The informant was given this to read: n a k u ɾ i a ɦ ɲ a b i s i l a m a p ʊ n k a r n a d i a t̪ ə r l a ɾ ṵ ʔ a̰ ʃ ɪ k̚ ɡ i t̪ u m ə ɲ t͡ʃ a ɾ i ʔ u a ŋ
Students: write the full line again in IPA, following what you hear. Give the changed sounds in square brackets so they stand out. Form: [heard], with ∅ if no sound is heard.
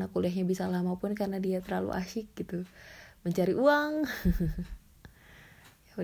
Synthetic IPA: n a k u [l] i a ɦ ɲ a b i s [a] l a m a p ʊ n k a r n a d i a t̪ ə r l a [l] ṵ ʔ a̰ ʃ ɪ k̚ ɡ i t̪ u m ə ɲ t͡ʃ a ɾ i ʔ u a ŋ